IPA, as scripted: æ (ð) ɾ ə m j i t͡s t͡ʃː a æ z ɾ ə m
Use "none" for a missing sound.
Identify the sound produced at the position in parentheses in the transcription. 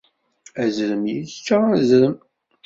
z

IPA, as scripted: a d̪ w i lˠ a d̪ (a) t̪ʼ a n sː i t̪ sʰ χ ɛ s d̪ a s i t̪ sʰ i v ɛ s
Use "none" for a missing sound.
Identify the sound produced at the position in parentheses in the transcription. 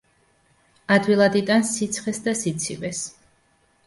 i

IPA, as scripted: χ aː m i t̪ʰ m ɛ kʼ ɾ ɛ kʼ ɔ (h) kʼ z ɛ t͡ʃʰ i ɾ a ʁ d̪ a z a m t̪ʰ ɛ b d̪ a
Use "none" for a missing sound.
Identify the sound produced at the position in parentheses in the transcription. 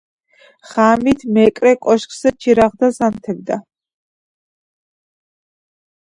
ʃ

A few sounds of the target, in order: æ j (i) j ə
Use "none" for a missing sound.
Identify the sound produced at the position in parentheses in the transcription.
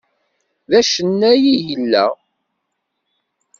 i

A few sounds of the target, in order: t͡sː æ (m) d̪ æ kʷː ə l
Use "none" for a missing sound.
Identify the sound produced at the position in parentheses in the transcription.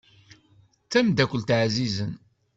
m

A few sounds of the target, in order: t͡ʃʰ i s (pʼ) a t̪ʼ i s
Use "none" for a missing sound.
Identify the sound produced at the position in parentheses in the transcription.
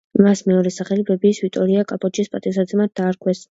pʼ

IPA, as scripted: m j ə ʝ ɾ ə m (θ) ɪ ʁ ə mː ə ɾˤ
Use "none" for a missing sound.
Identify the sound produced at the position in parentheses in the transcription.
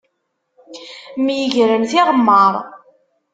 θ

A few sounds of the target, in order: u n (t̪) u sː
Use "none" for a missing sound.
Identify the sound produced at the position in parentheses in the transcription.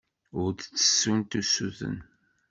t̪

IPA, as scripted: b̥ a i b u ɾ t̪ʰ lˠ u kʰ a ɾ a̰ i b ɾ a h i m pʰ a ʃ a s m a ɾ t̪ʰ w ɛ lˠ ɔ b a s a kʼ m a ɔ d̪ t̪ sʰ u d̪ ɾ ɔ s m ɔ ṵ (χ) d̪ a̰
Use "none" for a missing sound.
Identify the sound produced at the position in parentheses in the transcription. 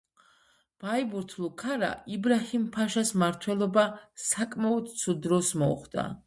χ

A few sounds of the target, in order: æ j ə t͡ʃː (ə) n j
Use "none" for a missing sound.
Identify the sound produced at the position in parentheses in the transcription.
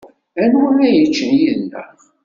ə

